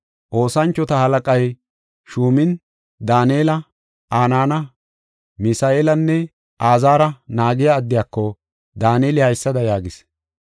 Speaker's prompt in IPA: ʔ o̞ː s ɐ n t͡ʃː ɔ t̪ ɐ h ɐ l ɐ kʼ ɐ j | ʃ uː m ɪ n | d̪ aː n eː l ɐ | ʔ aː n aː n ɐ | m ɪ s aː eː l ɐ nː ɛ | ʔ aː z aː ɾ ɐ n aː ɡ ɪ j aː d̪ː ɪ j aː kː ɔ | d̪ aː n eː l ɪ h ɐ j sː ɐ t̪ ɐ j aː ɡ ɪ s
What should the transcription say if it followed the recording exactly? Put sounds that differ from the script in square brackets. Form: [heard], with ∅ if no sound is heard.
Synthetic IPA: ʔ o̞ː s ɐ n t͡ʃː ɔ t̪ ɐ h ɐ l ɐ kʼ ɐ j | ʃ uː m ɪ n | d̪ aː n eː l ɐ | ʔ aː n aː n ɐ | m ɪ s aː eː l ɐ nː ɛ | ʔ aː z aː ɾ ɐ n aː ɡ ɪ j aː d̪ː ɪ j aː kː ɔ | d̪ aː n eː l ɪ h ɐ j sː ɐ [d̪] ɐ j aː ɡ ɪ s

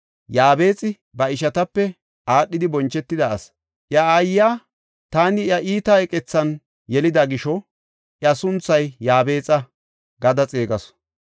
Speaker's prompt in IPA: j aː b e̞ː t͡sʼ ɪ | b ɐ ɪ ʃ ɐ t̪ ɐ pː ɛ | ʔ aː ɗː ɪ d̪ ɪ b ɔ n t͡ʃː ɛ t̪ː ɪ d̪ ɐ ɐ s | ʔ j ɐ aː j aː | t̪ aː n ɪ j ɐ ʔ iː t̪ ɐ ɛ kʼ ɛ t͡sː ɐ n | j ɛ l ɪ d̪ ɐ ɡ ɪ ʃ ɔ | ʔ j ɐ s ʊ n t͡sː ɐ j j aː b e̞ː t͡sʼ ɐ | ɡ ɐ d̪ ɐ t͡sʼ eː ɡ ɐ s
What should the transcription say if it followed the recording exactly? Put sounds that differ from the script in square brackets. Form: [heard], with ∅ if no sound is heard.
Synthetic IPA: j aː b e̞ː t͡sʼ ɪ | b ɐ ɪ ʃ ɐ t̪ ɐ pː ɛ | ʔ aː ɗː ɪ d̪ ɪ b ɔ n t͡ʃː ɛ t̪ː ɪ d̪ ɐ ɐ s | ʔ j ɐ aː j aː | t̪ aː n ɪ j ɐ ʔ iː t̪ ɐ ɛ kʼ ɛ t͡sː ɐ n | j ɛ l ɪ d̪ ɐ ɡ ɪ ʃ ɔ | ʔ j ɐ s ʊ n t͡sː ɐ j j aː b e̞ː t͡sʼ ɐ | ɡ ɐ d̪ ɐ t͡sʼ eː ɡ ɐ s

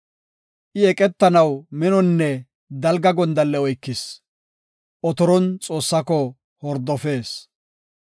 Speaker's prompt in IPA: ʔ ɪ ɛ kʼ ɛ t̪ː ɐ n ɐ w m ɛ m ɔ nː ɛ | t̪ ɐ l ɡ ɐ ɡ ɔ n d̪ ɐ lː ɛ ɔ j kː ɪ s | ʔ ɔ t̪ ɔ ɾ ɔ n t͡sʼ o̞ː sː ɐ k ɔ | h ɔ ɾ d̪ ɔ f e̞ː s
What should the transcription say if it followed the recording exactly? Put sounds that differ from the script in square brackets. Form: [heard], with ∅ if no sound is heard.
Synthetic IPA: ʔ ɪ ɛ kʼ ɛ t̪ː ɐ n ɐ w m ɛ [n] ɔ nː ɛ | [d̪] ɐ l ɡ ɐ ɡ ɔ n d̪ ɐ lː ɛ ɔ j kː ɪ s | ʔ ɔ t̪ ɔ ɾ ɔ n t͡sʼ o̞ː sː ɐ k ɔ | h ɔ ɾ d̪ ɔ f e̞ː s

